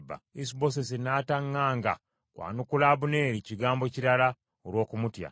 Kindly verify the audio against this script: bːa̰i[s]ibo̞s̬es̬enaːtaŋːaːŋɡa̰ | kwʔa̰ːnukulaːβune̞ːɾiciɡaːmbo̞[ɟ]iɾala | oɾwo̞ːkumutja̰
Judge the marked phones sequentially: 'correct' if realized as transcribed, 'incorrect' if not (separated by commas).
correct, incorrect